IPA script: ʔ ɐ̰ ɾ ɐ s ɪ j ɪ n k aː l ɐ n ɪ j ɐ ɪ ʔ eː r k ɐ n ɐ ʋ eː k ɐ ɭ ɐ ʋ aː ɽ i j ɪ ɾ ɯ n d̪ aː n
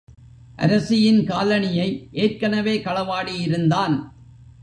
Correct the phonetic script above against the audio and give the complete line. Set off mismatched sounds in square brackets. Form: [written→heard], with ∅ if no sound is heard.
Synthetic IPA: ʔ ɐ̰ ɾ ɐ s ɪ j ɪ n k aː l ɐ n ɪ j ɐ ɪ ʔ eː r k ɐ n ɐ ʋ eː k ɐ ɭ ɐ ʋ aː ɽ i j ɪ ɾ ɯ n d̪ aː n